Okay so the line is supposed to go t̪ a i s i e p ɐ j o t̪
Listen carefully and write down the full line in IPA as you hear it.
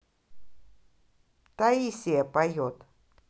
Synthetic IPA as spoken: t̪ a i s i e p a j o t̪